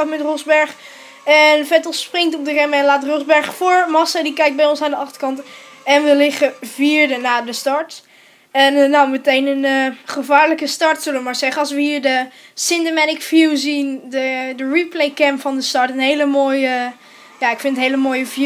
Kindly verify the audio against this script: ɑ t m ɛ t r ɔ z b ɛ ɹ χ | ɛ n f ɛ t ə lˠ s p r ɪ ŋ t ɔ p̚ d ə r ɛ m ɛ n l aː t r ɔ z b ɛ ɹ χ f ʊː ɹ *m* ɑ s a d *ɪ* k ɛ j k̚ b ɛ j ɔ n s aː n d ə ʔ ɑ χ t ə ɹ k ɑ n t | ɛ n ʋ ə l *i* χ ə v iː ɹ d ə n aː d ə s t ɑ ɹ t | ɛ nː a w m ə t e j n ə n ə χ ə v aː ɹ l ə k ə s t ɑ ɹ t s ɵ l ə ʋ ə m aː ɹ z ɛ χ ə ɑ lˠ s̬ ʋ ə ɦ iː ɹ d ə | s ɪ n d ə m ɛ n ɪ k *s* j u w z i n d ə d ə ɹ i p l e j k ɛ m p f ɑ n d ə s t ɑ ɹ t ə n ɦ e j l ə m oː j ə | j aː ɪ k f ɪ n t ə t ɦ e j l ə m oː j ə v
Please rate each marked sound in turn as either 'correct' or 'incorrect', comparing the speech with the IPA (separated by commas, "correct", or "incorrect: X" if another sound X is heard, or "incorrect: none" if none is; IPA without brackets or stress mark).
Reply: correct, incorrect: i, incorrect: ɪ, incorrect: f